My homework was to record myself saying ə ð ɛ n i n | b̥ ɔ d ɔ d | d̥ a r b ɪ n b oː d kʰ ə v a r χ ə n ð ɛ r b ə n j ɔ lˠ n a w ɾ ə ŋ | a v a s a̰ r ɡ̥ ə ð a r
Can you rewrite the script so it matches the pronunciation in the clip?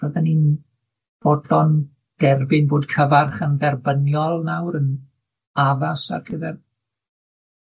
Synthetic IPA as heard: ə ð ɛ n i n | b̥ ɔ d ɔ n | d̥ ɛ r b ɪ n b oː d kʰ ə v a r χ ə n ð ɛ r b ə n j ɔ lˠ n a w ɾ ə n | a v a s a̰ r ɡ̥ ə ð ɛ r